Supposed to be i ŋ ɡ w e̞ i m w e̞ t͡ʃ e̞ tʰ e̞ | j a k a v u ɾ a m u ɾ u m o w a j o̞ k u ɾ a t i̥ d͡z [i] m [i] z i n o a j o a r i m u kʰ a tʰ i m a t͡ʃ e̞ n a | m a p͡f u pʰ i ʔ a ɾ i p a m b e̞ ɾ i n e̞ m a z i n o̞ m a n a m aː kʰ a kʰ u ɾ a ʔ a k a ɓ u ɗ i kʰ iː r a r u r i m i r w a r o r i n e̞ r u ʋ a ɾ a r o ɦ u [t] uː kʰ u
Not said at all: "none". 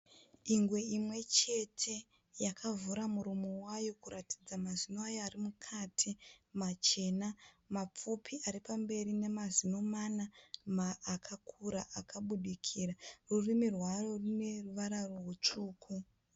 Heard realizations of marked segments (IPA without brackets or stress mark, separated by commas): a, a, t͡ʂ